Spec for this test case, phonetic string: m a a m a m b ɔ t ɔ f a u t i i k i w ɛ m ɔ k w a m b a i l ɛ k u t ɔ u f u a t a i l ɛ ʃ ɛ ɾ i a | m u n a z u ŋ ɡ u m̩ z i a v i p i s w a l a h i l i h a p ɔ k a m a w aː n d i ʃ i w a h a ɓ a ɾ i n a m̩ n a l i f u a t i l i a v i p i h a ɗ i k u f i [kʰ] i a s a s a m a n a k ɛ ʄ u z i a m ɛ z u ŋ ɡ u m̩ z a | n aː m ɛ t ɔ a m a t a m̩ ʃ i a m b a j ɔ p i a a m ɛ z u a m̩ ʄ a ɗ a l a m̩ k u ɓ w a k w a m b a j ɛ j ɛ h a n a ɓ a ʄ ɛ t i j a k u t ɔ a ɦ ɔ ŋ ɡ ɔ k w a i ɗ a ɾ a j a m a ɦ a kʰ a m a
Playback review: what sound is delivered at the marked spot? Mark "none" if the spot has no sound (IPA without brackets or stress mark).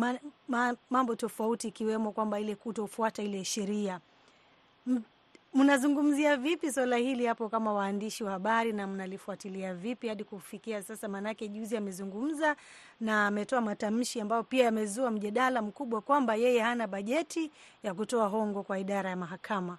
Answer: k